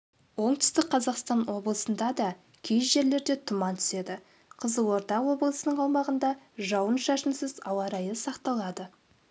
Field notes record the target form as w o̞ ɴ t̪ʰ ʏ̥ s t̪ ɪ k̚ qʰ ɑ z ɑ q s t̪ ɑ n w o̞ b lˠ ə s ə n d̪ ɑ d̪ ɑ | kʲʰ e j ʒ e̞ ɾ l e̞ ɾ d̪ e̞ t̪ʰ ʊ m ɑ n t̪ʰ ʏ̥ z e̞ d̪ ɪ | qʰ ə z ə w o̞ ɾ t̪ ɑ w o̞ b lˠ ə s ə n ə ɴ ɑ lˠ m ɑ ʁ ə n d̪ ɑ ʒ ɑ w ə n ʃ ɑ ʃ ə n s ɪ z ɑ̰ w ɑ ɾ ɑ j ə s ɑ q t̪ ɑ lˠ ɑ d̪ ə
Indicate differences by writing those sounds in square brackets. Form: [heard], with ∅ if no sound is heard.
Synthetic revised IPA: w o̞ ɴ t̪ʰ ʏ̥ s t̪ ɪ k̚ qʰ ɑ z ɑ q s t̪ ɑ n w o̞ b lˠ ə s ə n d̪ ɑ d̪ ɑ | kʲʰ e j ʒ e̞ ɾ l e̞ ɾ d̪ e̞ t̪ʰ ʊ m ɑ n t̪ʰ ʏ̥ [s] e̞ d̪ ɪ | qʰ ə z ə w o̞ ɾ t̪ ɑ w o̞ b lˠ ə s ə n ə ɴ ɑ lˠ m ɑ ʁ ə n d̪ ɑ ʒ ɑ w ə n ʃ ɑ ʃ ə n s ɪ z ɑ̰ w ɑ ɾ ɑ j ə s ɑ q t̪ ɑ lˠ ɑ d̪ ə